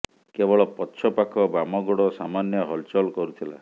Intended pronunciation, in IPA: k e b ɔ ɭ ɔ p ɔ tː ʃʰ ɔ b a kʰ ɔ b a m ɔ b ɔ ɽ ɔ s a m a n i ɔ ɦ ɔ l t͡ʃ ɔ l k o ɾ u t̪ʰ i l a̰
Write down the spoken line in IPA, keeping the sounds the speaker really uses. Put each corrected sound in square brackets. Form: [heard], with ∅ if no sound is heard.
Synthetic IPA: k e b ɔ ɭ ɔ p ɔ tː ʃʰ ɔ [p] a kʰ ɔ b a m ɔ [ɡ] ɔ ɽ ɔ s a m a n [j] ɔ ɦ ɔ l t͡ʃ ɔ l k [ɔ] ɾ u t̪ʰ i l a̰